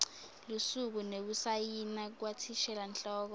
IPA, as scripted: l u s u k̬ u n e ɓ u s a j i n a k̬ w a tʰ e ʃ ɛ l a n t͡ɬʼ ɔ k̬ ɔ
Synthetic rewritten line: l u s u k̬ u n e ɓ u s a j i n a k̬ w a tʰ i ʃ ɛ l a n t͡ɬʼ ɔː k̬ ɔ